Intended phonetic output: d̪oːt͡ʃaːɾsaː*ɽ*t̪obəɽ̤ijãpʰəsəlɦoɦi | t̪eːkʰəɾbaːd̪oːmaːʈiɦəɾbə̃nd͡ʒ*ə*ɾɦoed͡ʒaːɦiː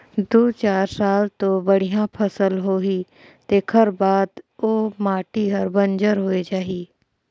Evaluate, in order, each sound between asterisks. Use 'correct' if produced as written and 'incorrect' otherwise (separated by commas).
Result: incorrect, correct